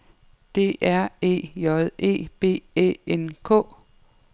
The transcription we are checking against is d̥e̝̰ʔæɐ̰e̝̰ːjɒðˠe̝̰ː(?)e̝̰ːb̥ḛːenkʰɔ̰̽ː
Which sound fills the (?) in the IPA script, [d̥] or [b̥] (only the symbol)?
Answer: b̥